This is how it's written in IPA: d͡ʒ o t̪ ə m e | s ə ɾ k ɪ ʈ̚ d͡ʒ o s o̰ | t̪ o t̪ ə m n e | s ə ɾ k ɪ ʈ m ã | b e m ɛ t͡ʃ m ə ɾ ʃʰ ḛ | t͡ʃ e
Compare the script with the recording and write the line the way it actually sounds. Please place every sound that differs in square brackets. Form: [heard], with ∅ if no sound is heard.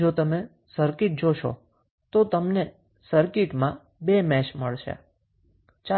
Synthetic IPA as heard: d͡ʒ o t̪ ə m e | s ə ɾ k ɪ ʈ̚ d͡ʒ o [ʃ] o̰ | t̪ o t̪ ə m n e | s ə ɾ k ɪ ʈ m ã | b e m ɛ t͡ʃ m ə [ɭ] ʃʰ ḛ | t͡ʃ [a]

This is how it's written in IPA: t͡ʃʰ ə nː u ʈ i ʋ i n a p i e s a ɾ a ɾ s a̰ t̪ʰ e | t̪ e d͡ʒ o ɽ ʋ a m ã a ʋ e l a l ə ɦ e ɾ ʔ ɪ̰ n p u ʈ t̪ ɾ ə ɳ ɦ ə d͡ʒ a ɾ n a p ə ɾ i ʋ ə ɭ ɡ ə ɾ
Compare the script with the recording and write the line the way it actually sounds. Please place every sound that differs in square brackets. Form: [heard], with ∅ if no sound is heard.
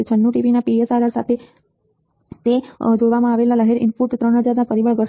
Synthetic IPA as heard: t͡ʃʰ ə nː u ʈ i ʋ i n a p i e s a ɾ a ɾ s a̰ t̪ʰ e | t̪ e d͡ʒ o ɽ ʋ a m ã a ʋ e l a l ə ɦ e ɾ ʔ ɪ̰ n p u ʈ t̪ ɾ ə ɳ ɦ ə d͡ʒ a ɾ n a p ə ɾ i ʋ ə ɭ ɡ ə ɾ

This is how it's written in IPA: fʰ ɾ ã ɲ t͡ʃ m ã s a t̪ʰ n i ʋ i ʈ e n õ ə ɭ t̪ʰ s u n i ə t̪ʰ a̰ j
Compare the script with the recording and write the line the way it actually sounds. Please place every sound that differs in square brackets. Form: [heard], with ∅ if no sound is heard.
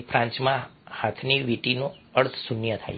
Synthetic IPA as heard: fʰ ɾ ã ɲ t͡ʃ m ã [h] a t̪ʰ n i ʋ i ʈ [i] n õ ə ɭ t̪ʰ s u n [j] ə t̪ʰ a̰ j

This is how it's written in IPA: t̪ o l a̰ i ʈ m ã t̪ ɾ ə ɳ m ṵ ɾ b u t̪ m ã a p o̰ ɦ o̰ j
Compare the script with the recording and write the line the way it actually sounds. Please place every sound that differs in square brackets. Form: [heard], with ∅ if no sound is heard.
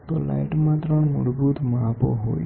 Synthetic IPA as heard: t̪ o l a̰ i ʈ m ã t̪ ɾ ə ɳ m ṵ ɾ b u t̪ m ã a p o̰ ɦ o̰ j

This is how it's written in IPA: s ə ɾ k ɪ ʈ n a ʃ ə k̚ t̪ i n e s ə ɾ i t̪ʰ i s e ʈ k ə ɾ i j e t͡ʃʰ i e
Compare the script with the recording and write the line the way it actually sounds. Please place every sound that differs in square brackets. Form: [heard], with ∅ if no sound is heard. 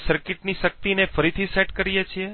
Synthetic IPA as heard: s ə ɾ k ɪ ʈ n [i] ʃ ə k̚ t̪ i n e [f] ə ɾ i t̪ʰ i s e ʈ k ə ɾ i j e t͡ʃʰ i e

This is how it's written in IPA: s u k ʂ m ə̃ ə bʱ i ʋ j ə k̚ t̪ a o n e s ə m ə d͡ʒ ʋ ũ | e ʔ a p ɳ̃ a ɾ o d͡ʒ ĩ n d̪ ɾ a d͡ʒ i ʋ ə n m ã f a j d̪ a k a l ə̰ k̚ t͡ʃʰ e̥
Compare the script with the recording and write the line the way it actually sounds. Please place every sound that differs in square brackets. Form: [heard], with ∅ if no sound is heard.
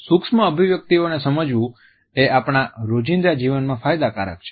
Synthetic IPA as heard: s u k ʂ m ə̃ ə bʱ i ʋ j ə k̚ t̪ [i] o n e s ə m ə d͡ʒ ʋ ũ | e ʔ a p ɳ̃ a ɾ o d͡ʒ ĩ n d̪ ɾ a d͡ʒ i ʋ ə n m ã f a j d̪ a k a [ɾ] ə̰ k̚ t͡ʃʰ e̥

